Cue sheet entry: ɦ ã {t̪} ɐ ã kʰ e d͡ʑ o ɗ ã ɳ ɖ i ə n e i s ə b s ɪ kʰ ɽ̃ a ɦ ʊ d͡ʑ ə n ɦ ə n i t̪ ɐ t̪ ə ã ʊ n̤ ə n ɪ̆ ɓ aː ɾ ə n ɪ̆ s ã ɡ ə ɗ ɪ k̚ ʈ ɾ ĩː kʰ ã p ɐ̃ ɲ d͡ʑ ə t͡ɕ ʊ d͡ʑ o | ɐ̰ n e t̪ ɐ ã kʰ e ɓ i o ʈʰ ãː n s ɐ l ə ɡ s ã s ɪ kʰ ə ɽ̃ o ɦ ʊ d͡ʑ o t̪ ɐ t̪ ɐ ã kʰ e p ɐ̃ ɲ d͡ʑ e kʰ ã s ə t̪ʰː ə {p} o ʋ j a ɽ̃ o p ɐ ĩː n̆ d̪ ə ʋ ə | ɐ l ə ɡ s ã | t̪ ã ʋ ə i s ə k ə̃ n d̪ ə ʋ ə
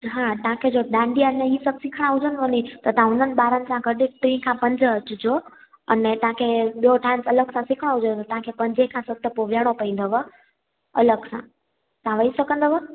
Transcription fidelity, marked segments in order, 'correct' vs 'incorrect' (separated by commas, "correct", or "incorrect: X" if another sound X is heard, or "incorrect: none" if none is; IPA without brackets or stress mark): correct, correct